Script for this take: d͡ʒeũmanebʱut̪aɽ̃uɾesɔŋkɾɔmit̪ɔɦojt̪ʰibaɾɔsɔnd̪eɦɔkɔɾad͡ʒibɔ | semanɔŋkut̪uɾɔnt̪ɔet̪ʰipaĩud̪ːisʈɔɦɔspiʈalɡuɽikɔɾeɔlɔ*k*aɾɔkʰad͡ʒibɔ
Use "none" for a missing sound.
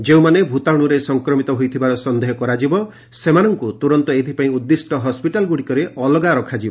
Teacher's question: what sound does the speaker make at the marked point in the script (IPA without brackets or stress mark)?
ɡ